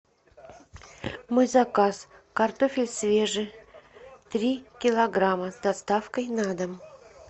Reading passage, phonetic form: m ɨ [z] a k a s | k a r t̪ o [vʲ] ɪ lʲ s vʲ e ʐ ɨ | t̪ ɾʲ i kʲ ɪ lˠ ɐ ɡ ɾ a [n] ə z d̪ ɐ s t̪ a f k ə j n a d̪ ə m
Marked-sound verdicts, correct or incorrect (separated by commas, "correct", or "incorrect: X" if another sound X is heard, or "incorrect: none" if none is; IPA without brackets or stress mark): correct, incorrect: fʲ, incorrect: m